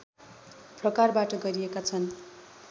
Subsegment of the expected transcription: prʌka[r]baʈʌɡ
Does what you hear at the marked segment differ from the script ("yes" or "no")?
no